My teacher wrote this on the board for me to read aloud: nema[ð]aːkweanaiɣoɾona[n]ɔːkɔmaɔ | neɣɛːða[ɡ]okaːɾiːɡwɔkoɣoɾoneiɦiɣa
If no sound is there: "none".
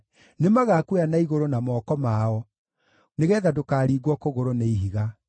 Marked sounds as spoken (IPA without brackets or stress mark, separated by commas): ɣ, m, d